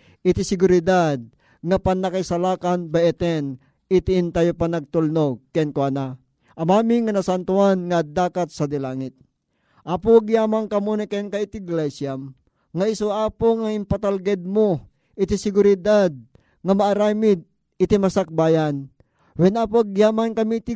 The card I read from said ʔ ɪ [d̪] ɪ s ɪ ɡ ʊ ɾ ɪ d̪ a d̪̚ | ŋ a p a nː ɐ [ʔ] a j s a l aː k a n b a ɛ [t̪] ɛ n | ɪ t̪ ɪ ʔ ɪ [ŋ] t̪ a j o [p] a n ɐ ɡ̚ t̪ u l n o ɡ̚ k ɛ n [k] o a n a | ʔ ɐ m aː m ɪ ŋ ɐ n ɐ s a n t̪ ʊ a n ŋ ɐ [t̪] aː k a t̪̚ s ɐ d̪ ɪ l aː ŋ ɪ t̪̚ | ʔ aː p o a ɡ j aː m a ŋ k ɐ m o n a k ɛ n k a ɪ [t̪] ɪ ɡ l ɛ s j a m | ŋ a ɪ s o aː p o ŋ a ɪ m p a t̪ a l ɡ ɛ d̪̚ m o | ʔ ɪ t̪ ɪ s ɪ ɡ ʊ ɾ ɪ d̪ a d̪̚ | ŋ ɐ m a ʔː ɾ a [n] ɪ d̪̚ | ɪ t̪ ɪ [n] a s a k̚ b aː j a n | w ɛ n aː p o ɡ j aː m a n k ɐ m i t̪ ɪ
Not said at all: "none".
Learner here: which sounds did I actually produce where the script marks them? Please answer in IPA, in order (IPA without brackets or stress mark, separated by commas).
t̪, k, t̪, n, p, k, d̪, t̪, m, m